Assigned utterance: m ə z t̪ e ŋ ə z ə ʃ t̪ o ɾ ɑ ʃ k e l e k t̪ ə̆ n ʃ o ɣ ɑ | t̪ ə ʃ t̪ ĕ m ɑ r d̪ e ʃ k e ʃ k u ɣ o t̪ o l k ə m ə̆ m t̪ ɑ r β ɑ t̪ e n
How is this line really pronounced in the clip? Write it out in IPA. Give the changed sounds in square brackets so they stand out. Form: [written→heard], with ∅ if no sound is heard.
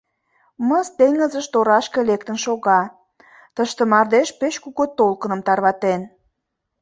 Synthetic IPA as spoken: m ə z t̪ e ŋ ə z ə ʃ t̪ o ɾ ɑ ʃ k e l e k t̪ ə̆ n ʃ o ɣ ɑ | t̪ ə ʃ t̪ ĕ m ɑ r d̪ e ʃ [k→p] e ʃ k u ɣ o t̪ o l k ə [m→n] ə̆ m t̪ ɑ r β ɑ t̪ e n

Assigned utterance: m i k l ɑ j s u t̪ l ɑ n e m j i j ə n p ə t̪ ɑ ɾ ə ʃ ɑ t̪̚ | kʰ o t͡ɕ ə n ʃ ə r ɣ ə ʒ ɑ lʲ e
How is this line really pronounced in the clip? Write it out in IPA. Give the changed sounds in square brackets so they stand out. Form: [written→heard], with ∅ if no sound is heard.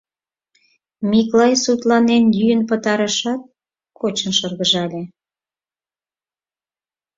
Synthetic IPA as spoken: m i k l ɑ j s u t̪ l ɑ n e [m→n] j [i→y] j ə n p ə t̪ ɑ ɾ ə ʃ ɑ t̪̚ | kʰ o t͡ɕ ə n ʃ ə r ɣ ə ʒ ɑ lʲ e

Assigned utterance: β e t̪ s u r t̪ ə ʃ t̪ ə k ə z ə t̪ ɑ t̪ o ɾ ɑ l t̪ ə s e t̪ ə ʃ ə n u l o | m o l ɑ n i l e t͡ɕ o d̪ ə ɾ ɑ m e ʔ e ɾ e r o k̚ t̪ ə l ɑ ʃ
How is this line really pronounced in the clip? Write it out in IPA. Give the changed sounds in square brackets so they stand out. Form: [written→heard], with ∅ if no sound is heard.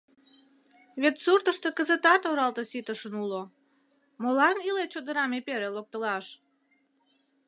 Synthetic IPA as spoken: β e t̪ s u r t̪ ə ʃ t̪ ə k ə z ə t̪ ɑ t̪ o ɾ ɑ l t̪ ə s [e→i] t̪ ə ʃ ə n u l o | m o l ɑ n i l e t͡ɕ o d̪ ə ɾ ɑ m e [ʔ→p] e ɾ e [r→l] o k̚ t̪ ə l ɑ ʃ

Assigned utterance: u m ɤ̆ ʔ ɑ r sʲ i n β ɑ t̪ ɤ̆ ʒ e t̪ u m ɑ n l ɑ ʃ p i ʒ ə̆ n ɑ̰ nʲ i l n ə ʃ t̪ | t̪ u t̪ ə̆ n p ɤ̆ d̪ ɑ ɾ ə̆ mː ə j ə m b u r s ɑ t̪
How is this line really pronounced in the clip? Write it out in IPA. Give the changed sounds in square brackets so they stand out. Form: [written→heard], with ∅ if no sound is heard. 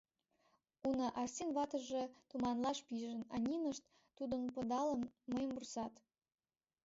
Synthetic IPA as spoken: u [m→n] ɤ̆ ʔ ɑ r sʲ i n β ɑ t̪ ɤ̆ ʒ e t̪ u m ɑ n l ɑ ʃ p i ʒ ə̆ n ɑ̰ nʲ i [l→∅] n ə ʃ t̪ | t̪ u [t̪→d̪] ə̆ n p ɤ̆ d̪ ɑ [ɾ→l] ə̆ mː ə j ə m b u r s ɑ t̪

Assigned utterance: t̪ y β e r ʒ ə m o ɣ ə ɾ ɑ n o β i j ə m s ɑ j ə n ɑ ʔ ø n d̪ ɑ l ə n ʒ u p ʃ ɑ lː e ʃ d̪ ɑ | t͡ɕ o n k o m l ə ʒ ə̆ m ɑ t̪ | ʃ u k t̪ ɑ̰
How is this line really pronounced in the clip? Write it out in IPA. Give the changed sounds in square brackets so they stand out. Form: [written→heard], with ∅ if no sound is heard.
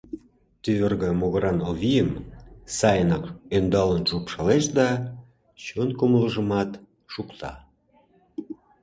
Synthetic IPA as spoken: t̪ y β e r [ʒ→ɣ] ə m o ɣ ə ɾ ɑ n o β i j ə m s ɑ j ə n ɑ [ʔ→k] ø n d̪ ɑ l ə n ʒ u p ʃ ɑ [lː→l] e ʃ d̪ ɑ | t͡ɕ o n k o m l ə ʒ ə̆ m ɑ t̪ | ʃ u k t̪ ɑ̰

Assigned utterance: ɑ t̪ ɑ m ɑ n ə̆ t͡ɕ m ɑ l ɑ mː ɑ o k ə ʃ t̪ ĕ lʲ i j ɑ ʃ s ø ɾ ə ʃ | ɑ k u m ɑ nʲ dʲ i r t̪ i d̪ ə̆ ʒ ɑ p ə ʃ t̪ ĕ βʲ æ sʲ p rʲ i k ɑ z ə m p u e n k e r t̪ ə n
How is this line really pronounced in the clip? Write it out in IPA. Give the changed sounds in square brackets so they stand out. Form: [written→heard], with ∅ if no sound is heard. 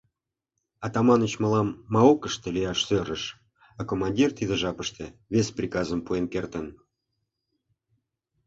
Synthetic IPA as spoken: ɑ t̪ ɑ m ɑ n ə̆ t͡ɕ m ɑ l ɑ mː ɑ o k ə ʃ t̪ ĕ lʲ i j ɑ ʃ s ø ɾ ə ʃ | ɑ k [u→o] m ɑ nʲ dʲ i r t̪ i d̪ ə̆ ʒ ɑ p ə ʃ t̪ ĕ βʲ [æ→e] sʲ p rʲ i k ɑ z ə m p u e n k e r t̪ ə n

